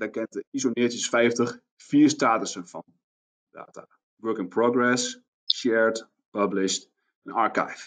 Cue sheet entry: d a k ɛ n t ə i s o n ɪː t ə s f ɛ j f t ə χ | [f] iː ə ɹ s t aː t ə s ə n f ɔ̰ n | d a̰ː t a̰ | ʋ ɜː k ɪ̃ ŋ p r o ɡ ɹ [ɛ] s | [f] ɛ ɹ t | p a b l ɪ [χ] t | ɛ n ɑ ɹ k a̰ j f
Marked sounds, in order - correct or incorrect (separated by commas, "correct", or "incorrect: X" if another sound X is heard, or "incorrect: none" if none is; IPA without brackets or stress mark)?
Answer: correct, correct, incorrect: ʃ, incorrect: ʃ